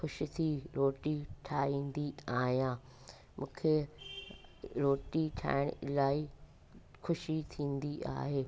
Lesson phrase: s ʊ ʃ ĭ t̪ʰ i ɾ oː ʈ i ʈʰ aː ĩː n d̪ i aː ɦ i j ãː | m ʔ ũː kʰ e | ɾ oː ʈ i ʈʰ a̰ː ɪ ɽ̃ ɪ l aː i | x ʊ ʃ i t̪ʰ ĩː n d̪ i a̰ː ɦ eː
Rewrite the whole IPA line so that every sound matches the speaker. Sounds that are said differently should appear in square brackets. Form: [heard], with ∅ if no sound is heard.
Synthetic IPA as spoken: [x] ʊ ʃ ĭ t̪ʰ i ɾ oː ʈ i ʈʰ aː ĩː n d̪ i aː ɦ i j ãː | m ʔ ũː kʰ e | ɾ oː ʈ i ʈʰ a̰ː ɪ ɽ̃ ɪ l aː i | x ʊ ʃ i t̪ʰ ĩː n d̪ i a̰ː ɦ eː